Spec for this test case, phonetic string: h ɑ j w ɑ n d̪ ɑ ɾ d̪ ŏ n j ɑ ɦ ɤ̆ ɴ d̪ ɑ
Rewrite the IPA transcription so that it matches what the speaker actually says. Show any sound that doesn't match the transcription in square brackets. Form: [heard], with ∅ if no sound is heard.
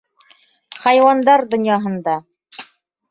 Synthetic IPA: [χ] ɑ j w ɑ n d̪ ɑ ɾ d̪ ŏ n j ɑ ɦ ɤ̆ [n] d̪ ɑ